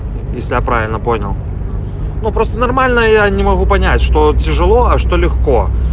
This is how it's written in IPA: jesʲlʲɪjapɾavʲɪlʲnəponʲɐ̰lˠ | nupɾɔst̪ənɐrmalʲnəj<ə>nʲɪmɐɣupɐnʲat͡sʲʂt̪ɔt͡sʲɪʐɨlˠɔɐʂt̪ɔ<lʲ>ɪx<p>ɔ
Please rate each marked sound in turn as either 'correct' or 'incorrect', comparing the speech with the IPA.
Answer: incorrect: a, correct, incorrect: k

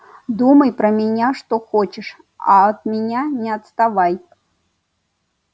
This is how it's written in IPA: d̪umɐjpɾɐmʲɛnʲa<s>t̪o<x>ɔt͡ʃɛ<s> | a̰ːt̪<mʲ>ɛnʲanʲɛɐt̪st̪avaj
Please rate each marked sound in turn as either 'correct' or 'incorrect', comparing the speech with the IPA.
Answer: incorrect: ʂ, correct, incorrect: ʂ, correct

